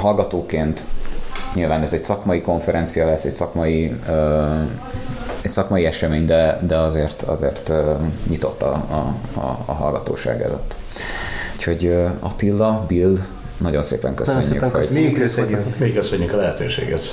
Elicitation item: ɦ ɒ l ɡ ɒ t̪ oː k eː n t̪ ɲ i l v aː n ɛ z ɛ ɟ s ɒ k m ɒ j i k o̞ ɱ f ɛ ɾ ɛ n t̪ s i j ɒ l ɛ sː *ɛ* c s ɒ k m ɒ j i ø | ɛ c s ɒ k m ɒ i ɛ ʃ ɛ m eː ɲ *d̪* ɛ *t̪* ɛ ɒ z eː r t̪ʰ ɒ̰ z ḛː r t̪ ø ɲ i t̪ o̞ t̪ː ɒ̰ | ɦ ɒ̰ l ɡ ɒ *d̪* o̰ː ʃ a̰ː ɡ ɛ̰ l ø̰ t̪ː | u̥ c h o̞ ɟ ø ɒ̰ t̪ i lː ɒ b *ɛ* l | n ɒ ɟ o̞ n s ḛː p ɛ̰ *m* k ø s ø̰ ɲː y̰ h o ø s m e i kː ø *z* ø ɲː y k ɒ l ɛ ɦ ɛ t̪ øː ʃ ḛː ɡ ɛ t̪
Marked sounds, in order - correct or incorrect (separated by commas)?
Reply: correct, correct, incorrect, incorrect, incorrect, incorrect, incorrect